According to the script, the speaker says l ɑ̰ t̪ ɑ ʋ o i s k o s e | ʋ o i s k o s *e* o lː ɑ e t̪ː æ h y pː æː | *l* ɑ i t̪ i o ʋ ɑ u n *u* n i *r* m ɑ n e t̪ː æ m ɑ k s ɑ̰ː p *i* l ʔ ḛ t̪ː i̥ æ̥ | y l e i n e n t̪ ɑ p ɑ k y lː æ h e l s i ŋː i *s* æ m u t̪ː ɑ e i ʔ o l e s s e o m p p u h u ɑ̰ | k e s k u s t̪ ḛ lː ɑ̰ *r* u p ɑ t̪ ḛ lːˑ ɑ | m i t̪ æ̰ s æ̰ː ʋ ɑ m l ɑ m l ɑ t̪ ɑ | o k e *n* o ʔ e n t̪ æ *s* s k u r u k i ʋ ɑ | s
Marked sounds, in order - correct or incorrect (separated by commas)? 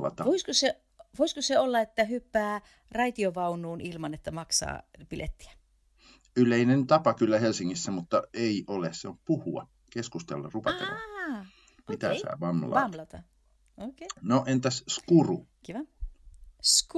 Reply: correct, incorrect, incorrect, incorrect, correct, incorrect, correct, correct, correct